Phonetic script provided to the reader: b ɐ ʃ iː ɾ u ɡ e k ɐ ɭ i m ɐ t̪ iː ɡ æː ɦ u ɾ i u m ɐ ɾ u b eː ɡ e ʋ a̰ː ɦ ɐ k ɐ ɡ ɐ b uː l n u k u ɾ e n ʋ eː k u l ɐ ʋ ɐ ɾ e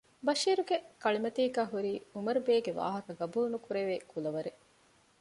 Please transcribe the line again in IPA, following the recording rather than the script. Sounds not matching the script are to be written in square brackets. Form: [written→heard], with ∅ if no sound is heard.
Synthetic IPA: b ɐ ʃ iː ɾ u ɡ e k ɐ ɭ i m ɐ t̪ iː ɡ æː ɦ u ɾ [i→iː] u m ɐ ɾ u b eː ɡ e ʋ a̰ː ɦ ɐ k ɐ ɡ ɐ b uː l n u k u ɾ e [n→∅] ʋ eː k u l ɐ ʋ ɐ ɾ e